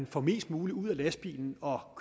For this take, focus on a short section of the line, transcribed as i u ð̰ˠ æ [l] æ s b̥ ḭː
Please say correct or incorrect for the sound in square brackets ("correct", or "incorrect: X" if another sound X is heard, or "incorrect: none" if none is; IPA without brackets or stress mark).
correct